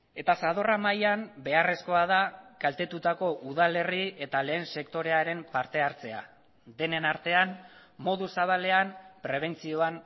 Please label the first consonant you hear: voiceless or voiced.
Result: voiceless